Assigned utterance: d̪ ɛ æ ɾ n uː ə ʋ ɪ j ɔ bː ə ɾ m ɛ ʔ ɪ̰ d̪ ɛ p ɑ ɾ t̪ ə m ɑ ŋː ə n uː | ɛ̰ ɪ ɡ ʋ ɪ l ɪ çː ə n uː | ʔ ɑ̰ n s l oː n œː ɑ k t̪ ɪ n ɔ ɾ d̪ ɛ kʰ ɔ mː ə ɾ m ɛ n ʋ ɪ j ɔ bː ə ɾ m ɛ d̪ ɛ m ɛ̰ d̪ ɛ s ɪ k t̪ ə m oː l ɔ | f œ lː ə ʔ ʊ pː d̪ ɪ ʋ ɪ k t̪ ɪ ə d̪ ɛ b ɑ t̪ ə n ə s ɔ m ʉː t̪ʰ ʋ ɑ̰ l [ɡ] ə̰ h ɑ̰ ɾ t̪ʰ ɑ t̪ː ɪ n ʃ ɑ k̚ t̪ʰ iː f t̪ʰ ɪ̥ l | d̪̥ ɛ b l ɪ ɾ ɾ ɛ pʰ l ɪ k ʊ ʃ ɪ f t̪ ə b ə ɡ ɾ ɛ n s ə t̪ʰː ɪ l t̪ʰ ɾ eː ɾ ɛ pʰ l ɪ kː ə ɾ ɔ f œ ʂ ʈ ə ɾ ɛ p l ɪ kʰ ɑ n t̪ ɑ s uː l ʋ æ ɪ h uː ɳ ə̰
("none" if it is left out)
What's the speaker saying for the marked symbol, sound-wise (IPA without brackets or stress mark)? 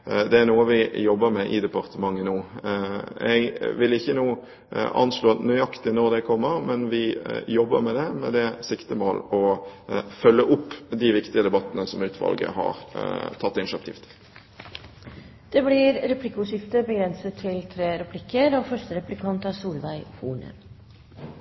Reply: ɡ